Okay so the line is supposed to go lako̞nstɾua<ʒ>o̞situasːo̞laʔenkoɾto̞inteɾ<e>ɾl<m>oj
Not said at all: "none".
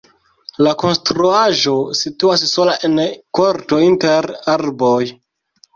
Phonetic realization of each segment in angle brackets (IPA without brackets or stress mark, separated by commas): ʒ, a, b